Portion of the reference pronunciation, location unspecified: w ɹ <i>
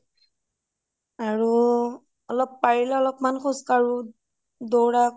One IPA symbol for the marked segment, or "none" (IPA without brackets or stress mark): a